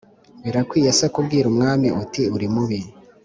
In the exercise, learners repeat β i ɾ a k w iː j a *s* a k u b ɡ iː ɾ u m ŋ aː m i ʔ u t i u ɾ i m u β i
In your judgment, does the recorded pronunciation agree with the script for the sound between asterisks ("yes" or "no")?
yes